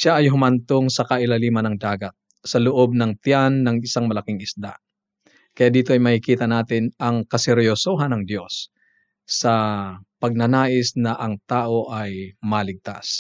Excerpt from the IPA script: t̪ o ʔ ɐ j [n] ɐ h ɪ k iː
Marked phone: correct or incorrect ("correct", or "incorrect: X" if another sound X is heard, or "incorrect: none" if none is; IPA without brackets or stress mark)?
incorrect: m